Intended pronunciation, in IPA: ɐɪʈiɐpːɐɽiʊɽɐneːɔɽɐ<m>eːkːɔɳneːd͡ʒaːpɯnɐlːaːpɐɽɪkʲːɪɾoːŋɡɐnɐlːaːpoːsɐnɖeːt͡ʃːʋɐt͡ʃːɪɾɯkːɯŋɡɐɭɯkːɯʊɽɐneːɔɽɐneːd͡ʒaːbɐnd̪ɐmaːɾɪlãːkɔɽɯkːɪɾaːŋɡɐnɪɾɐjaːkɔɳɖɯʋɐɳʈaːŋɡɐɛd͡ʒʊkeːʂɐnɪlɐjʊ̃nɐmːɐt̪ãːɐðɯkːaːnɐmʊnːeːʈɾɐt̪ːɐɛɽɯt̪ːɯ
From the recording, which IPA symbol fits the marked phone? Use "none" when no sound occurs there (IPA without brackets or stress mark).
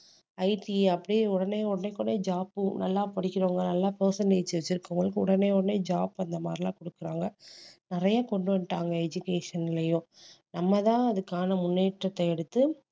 n